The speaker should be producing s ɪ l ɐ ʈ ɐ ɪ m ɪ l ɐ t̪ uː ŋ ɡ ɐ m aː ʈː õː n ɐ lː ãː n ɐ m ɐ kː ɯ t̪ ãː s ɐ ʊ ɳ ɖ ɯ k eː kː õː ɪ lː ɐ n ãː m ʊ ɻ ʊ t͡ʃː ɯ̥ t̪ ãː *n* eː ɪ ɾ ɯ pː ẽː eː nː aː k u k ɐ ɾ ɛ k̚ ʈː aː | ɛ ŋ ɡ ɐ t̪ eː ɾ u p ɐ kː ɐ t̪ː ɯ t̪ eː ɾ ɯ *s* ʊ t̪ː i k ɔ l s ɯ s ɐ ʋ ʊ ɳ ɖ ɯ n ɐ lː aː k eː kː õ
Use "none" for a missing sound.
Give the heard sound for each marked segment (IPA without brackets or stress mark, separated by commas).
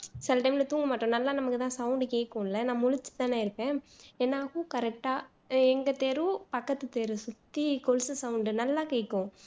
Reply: n, s